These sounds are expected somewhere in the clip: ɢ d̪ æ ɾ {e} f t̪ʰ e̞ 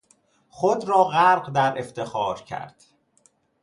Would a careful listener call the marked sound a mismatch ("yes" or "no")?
no